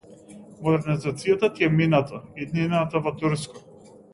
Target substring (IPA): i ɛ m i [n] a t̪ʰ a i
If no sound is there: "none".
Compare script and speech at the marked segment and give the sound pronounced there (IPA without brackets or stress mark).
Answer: n